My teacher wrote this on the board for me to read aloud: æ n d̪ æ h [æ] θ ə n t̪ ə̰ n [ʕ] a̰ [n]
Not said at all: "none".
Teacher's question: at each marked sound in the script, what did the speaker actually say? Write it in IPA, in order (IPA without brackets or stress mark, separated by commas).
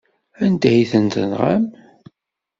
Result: i, ʁ, m